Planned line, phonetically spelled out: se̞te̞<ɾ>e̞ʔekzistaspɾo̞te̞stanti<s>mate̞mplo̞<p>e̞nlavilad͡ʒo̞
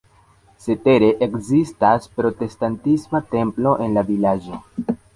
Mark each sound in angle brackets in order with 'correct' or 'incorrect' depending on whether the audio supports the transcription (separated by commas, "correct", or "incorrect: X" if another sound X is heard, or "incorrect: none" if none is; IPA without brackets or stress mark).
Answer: correct, correct, incorrect: ʔ